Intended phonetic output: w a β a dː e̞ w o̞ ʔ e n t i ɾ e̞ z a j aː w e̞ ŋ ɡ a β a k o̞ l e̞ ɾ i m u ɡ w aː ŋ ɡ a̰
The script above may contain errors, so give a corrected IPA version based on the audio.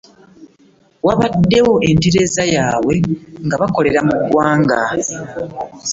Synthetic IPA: w a β a dː e̞ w o̞ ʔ e n t i ɾ e̞ z a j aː w e̞ ŋ ɡ a β a k o̞ l e̞ ɾ a m u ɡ w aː ŋ ɡ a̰